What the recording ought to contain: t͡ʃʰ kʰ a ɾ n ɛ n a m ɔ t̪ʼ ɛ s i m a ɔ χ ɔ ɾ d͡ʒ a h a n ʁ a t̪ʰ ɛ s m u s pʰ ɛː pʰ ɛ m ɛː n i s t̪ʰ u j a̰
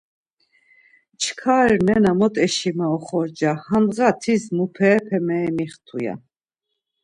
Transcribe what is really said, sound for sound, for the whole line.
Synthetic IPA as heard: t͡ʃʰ kʰ a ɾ n ɛ n a m ɔ t̪ʼ ɛ ʃ i m a ɔ χ ɔ ɾ d͡ʒ a h a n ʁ a t̪ʰ i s m u pʰ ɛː pʰ ɛ m ɛː m i χ t̪ʰ u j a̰